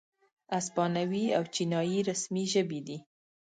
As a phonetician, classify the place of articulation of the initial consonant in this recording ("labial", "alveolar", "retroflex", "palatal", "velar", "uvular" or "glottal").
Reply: alveolar